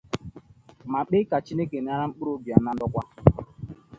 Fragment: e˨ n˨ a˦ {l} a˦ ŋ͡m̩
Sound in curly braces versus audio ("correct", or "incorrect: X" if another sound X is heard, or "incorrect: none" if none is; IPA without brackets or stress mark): incorrect: ɾ